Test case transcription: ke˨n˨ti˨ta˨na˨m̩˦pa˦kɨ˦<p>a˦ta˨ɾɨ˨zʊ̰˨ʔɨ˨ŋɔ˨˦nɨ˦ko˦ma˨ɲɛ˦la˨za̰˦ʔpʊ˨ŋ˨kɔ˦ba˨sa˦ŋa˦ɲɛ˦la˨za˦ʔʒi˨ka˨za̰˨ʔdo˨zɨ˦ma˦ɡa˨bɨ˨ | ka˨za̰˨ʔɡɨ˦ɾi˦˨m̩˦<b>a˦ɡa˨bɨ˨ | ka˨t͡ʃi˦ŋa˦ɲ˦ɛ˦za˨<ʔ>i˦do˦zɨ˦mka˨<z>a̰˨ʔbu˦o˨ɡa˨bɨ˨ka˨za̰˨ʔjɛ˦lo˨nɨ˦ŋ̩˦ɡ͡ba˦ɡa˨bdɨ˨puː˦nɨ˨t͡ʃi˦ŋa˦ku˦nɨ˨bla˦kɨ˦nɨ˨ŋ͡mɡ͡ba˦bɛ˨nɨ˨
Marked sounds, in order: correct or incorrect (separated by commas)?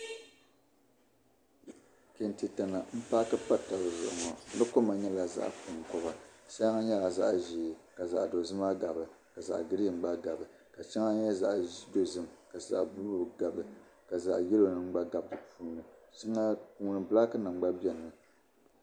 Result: correct, incorrect, correct, correct